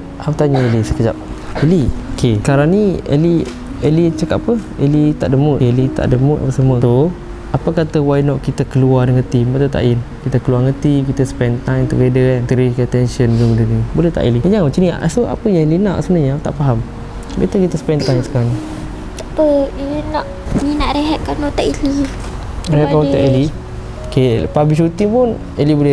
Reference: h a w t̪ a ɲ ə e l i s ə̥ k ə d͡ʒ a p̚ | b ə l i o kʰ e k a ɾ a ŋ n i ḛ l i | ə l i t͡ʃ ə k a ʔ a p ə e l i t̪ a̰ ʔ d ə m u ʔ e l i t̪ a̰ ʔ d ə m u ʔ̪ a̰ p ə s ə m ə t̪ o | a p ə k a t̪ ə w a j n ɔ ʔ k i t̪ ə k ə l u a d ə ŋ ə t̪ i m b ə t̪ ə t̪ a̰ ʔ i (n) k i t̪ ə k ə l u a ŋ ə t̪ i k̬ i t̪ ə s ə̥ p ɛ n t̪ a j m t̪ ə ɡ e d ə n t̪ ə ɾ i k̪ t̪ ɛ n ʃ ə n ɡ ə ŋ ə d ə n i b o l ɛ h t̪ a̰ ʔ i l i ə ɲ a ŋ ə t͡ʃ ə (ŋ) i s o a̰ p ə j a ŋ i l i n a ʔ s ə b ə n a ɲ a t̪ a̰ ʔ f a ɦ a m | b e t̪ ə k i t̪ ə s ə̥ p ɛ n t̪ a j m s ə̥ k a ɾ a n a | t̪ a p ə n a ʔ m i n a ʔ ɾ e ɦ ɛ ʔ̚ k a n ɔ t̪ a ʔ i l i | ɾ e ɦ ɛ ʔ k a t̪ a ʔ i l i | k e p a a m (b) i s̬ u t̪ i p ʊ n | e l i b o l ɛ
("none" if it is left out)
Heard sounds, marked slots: n, n, b

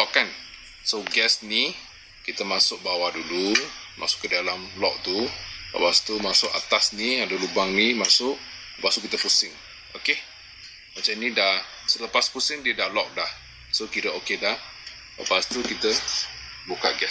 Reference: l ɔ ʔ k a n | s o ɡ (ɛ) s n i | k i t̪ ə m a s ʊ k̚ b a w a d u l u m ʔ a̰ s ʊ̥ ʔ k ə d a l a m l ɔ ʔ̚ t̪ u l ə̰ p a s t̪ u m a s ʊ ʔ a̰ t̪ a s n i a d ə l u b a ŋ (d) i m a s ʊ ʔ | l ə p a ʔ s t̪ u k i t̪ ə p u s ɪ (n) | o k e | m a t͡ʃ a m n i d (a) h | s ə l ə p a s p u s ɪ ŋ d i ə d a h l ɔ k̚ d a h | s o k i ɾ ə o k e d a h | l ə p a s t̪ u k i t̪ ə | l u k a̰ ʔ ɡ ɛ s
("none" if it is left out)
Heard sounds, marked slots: ɛ, n, ŋ, a

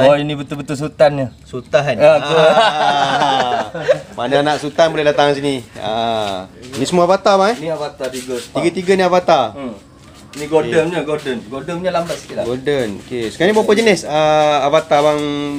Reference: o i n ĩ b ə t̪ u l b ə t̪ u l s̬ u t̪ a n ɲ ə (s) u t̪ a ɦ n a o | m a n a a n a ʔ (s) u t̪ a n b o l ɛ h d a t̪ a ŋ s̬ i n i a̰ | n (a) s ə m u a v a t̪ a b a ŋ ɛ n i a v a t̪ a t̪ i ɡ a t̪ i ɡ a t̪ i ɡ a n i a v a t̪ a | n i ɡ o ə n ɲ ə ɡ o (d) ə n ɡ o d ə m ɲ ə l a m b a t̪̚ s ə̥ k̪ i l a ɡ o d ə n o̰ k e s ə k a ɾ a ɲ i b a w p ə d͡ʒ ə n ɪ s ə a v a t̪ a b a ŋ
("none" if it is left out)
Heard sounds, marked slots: s, s, i, d

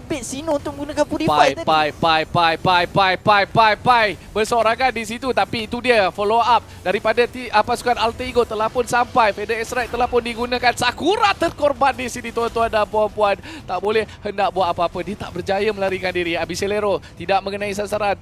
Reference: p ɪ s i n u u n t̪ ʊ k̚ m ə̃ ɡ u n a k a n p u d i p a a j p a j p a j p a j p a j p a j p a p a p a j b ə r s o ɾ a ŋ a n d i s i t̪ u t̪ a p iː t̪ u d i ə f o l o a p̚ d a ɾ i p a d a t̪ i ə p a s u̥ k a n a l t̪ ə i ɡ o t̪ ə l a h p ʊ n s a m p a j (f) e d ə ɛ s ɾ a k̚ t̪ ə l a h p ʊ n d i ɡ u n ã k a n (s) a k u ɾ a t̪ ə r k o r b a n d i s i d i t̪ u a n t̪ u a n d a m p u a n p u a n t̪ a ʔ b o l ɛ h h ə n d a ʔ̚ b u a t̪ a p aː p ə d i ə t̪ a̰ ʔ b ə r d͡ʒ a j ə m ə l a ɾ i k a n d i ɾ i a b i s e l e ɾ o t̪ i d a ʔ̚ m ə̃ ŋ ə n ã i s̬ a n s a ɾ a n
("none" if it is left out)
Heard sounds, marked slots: f, s

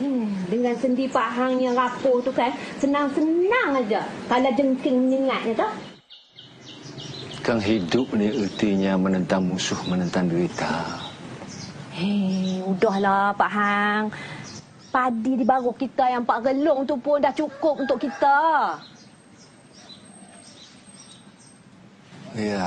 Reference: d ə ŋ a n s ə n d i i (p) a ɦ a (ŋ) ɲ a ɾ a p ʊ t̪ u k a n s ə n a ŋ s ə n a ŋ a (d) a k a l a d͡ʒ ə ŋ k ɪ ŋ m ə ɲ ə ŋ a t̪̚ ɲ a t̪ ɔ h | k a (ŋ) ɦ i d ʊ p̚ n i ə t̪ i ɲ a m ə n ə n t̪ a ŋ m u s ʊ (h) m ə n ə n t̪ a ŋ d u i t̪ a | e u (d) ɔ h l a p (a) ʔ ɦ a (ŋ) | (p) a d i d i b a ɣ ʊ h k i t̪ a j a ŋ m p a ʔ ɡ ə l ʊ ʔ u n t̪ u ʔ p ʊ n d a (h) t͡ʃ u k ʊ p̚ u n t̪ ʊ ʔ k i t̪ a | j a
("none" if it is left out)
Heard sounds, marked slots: p, ŋ, d͡ʒ, ŋ, h, d, a, ŋ, p, h

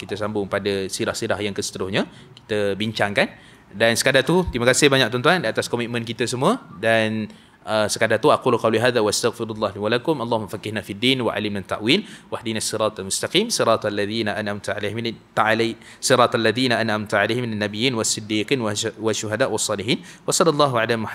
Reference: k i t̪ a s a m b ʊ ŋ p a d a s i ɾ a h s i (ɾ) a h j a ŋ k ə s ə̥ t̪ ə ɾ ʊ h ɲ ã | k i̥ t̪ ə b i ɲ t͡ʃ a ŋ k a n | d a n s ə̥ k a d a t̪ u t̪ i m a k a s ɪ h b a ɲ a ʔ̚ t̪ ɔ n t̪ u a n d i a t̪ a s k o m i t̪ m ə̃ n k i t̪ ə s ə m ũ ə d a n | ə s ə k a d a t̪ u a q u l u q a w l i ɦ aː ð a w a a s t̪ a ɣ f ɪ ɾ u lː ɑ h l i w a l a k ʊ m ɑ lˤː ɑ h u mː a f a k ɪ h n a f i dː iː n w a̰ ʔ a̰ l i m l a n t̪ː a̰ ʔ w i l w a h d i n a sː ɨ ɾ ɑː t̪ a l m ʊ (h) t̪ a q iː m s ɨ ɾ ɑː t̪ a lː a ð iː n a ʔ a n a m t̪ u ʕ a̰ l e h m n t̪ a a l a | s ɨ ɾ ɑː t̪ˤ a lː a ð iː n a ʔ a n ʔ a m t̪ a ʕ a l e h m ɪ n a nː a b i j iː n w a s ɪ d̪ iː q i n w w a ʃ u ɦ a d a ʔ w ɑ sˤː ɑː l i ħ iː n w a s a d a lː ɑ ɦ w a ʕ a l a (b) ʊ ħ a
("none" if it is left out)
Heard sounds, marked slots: ɾ, s, m

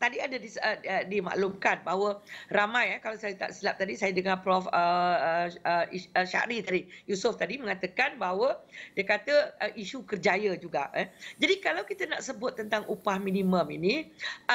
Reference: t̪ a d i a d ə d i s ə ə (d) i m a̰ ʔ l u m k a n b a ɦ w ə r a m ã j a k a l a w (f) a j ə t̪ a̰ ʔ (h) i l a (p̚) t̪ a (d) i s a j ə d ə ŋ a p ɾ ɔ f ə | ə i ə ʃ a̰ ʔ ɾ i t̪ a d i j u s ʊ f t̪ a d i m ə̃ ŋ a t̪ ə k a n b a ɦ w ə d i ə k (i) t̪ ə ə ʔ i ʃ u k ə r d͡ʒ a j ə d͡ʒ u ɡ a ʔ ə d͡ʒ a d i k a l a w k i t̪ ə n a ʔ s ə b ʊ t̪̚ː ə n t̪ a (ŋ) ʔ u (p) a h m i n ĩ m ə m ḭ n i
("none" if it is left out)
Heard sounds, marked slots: d, s, s, p̚, d, a, ŋ, p

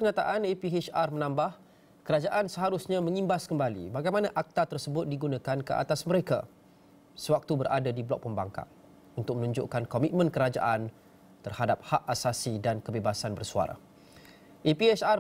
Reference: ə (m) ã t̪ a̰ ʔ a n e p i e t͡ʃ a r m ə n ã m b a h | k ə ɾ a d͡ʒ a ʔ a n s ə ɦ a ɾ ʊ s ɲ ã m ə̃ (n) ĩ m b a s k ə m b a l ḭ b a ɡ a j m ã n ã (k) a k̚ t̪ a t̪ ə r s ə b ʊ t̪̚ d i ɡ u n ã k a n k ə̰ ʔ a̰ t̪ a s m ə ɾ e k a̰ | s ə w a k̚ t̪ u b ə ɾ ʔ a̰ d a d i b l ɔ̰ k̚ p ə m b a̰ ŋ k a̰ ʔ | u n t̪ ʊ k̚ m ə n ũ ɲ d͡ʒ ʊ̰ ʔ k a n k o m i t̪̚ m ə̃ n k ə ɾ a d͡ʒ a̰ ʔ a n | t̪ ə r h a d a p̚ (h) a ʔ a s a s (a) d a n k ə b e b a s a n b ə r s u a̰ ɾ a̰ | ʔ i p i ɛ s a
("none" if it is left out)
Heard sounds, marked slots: ɲ, ŋ, ʔ, h, i

